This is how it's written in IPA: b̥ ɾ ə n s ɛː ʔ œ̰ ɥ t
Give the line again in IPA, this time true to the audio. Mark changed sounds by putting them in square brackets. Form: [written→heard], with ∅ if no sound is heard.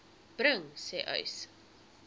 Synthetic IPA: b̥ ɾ ə [n→ŋ] s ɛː ʔ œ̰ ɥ [t→s]